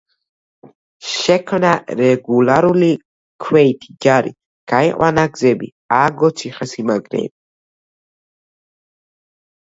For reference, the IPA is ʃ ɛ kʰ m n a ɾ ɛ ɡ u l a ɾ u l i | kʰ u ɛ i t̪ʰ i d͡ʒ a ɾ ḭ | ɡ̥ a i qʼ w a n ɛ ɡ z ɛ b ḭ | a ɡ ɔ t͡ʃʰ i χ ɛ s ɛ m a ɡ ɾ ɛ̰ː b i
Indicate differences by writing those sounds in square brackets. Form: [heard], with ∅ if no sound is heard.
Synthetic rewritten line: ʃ ɛ kʰ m n a ɾ ɛ ɡ u l a ɾ u l i | kʰ [w] ɛ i t̪ʰ i d͡ʒ a ɾ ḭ | ɡ̥ a i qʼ w a n [a] ɡ z ɛ b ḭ | a ɡ ɔ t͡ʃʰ i χ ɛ s [i] m a ɡ ɾ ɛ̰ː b i